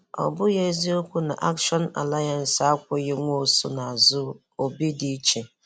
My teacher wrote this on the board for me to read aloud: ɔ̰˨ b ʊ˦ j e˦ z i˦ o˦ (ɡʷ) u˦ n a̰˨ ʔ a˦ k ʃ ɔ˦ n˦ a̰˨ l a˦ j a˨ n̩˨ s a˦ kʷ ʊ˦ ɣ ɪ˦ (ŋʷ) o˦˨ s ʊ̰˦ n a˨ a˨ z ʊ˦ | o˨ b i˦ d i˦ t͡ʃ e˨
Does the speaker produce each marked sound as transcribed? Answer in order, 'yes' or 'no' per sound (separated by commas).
no, yes